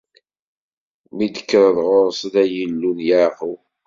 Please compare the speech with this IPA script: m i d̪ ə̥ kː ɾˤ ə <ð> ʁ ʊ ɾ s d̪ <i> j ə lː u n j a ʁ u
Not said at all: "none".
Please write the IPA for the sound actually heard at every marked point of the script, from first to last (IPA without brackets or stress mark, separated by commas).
ð, æ